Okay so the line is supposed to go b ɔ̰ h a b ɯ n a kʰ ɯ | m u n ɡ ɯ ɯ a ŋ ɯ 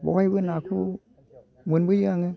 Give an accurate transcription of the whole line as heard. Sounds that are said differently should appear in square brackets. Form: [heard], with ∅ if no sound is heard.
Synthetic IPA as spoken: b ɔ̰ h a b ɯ n a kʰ [u] | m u n [b] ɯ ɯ a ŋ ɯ